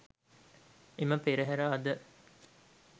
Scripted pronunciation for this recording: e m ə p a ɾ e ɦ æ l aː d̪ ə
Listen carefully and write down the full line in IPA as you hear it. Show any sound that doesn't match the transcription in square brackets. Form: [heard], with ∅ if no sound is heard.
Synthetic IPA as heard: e m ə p [e] ɾ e ɦ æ [ɾ] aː d̪ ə